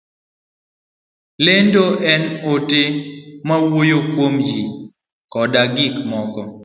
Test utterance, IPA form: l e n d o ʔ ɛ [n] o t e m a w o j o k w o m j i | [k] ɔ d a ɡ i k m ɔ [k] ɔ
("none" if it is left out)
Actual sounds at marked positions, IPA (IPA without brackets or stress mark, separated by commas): n, k, k